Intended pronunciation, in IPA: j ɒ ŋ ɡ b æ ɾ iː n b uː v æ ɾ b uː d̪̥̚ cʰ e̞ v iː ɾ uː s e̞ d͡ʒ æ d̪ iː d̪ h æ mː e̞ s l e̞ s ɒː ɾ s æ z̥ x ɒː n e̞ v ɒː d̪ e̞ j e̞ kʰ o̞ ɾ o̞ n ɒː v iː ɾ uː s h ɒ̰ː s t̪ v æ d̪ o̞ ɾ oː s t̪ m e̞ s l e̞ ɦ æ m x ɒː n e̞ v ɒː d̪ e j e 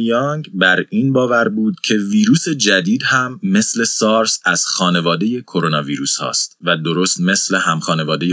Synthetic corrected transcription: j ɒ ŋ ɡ b æ ɾ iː n b ɒː v æ ɾ b uː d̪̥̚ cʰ e̞ v iː ɾ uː s e̞ d͡ʒ æ d̪ iː d̪ h æ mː e̞ s l e̞ s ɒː ɾ s æ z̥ x ɒː n e̞ v ɒː d̪ e̞ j e̞ kʰ o̞ ɾ o̞ n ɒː v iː ɾ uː s h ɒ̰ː s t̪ v æ d̪ o̞ ɾ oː s t̪ m e̞ s l e̞ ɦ æ m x ɒː n e̞ v ɒː d̪ e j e